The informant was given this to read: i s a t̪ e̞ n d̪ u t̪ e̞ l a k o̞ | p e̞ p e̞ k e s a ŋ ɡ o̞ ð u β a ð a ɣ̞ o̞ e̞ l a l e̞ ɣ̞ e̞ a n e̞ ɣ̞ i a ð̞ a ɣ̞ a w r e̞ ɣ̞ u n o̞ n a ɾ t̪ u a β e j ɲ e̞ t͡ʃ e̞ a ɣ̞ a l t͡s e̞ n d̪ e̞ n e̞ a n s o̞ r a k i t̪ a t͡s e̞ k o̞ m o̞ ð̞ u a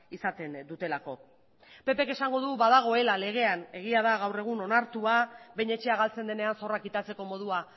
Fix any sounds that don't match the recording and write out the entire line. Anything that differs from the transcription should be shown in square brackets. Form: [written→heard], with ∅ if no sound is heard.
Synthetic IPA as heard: i s a t̪ e̞ n d̪ u t̪ e̞ l a k o̞ | p e̞ p e̞ k e s a ŋ ɡ o̞ ð u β a ð a ɣ̞ o̞ e̞ l a l e̞ ɣ̞ e̞ a n e̞ ɣ̞ i a ð̞ a ɣ̞ a w r e̞ ɣ̞ u n o̞ n a ɾ t̪ u a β e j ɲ e̞ t͡ʃ e̞ a ɣ̞ a l t͡s e̞ n d̪ e̞ n e̞ a n s o̞ r a k i t̪ a t͡s e̞ k o̞ m o̞ ð̞ u a